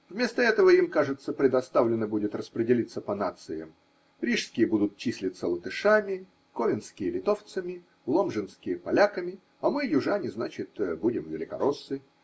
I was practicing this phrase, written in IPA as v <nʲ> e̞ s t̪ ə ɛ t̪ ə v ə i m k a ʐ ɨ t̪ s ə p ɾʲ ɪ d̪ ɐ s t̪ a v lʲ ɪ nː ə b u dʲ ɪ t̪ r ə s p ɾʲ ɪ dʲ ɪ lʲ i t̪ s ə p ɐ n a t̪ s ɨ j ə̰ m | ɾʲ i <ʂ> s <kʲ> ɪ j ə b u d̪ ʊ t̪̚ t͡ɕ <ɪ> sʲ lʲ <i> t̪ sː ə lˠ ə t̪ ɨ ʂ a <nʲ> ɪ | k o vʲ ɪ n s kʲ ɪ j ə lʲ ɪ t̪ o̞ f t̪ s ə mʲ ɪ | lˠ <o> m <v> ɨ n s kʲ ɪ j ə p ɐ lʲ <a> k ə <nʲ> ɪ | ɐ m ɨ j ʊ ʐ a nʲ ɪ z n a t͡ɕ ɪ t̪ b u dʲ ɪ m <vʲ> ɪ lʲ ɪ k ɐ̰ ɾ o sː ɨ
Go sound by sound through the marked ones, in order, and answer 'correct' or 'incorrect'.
incorrect: mʲ, correct, correct, incorrect: i, incorrect: ɪ, incorrect: mʲ, correct, incorrect: ʐ, correct, incorrect: mʲ, correct

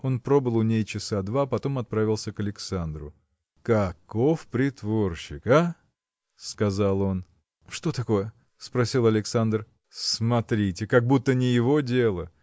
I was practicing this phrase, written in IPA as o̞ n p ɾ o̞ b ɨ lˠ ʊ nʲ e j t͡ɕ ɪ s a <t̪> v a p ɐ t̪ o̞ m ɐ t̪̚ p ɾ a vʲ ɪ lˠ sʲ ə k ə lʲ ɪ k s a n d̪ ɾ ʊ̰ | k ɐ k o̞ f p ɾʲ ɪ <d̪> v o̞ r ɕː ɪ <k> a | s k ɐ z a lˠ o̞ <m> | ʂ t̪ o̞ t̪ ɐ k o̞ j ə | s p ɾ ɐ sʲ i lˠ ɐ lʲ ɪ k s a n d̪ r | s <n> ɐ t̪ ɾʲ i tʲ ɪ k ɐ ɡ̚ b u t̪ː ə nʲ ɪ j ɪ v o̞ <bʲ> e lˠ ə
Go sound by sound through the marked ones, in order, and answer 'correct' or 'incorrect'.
incorrect: d̪, incorrect: t̪, correct, incorrect: n, incorrect: m, incorrect: dʲ

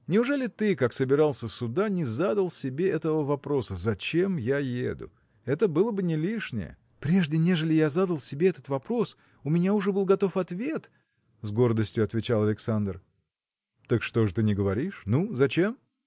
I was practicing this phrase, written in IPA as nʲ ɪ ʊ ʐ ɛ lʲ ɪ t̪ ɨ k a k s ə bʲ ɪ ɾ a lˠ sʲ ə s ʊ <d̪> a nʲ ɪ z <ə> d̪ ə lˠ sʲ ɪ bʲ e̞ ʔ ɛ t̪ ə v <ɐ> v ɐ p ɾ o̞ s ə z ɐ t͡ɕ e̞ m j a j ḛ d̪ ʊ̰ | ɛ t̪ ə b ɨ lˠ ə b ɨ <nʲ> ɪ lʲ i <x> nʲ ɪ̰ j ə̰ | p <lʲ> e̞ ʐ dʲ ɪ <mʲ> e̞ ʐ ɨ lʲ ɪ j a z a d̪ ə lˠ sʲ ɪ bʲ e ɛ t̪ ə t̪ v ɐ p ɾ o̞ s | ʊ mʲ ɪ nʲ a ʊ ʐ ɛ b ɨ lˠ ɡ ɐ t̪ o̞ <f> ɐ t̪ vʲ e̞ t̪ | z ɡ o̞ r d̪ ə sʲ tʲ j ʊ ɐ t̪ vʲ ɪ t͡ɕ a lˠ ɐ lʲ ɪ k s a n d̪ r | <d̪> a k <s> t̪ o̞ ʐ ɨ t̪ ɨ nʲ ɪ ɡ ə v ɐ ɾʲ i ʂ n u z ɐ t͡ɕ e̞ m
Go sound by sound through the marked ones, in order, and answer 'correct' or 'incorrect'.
correct, incorrect: a, incorrect: ə, correct, incorrect: ʂ, incorrect: ɾʲ, incorrect: nʲ, correct, incorrect: t̪, incorrect: ʂ

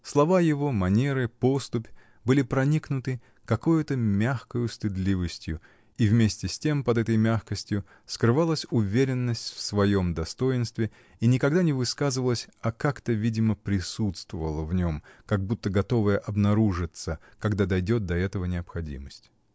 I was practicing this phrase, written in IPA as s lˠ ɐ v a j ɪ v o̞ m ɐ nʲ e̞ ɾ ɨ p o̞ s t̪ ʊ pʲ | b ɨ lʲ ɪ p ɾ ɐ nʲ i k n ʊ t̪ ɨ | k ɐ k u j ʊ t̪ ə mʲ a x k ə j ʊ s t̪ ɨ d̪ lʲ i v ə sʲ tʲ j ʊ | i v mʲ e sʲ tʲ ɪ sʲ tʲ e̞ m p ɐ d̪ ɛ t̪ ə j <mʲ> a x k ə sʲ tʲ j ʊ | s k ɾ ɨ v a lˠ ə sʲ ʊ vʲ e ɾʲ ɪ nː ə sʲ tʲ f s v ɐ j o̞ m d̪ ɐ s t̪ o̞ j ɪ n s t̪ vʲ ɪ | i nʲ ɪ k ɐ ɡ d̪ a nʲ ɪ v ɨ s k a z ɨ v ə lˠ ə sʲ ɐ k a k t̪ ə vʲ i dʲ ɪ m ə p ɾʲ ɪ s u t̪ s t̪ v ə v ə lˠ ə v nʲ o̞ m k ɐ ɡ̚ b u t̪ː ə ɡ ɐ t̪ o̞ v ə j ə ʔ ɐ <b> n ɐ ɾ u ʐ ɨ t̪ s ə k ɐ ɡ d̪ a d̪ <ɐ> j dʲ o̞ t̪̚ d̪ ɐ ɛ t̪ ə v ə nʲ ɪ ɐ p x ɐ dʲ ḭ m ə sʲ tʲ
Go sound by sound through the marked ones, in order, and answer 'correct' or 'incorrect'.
correct, correct, correct

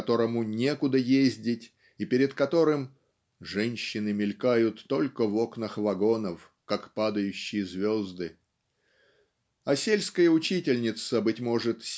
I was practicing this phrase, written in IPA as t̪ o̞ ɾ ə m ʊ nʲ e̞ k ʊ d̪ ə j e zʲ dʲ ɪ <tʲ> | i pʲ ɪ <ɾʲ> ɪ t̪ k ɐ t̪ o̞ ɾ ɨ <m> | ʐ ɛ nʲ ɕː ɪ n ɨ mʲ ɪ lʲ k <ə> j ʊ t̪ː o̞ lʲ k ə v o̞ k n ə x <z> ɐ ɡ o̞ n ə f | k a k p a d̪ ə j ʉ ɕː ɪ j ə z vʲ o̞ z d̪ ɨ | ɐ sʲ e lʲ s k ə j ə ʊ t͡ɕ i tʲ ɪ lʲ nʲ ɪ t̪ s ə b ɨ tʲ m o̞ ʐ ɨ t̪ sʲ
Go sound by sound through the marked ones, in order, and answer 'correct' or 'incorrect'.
correct, correct, correct, incorrect: a, incorrect: v

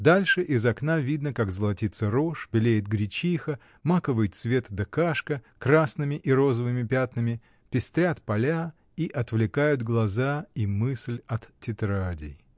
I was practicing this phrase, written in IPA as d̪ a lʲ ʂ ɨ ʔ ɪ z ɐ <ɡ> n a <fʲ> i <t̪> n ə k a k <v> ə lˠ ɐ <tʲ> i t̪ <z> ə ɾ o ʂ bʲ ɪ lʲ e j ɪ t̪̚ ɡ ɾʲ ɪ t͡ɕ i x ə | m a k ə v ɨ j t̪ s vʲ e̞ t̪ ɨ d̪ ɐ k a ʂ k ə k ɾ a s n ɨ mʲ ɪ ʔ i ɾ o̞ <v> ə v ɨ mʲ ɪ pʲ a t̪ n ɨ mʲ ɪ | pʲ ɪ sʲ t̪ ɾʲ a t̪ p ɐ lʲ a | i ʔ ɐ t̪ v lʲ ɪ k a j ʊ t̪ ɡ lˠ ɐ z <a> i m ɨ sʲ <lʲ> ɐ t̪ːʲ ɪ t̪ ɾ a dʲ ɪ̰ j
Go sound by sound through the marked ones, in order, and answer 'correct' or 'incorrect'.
incorrect: k, incorrect: vʲ, incorrect: d̪, incorrect: z, correct, incorrect: s, incorrect: z, correct, correct

